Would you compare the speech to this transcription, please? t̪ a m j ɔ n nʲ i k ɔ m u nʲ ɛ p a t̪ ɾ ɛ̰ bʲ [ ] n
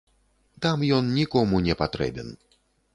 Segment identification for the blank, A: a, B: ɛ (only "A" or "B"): B